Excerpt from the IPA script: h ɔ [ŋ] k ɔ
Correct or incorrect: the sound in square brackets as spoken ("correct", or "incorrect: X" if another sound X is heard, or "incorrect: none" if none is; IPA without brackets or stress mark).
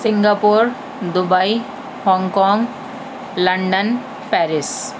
correct